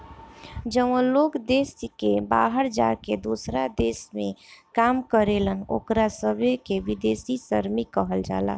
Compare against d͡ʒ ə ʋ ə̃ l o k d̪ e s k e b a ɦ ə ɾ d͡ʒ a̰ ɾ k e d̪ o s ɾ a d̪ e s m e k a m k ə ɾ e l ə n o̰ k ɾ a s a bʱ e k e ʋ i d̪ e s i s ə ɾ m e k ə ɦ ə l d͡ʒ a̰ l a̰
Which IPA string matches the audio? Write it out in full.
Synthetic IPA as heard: d͡ʒ ə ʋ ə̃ l o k d̪ e s k e b a ɦ ə ɾ d͡ʒ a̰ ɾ k e d̪ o s ɾ a d̪ e s m e k a m k ə ɾ e l ə n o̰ k ɾ a s ə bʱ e k e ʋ i d̪ e s i s ə ɾ m i k ə ɦ ə l d͡ʒ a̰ l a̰